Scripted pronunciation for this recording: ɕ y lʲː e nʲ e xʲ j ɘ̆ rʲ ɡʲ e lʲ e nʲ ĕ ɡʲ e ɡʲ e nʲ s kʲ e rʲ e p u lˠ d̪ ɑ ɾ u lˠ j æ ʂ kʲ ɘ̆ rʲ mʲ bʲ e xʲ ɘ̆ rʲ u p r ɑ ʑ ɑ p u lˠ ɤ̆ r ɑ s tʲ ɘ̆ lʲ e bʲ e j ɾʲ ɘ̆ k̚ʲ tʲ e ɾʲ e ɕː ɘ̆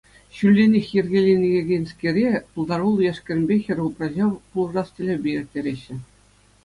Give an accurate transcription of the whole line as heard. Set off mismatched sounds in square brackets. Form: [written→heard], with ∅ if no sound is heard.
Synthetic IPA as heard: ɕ y lʲː e nʲ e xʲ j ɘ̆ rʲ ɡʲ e lʲ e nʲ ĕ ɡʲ e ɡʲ e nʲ s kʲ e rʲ e p u lˠ d̪ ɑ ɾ u lˠ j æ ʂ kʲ ɘ̆ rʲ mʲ bʲ e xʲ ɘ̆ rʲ u p r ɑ ʑ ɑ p u lˠ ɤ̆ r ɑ s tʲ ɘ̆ lʲ e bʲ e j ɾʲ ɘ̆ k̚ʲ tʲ e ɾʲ e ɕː ɘ̆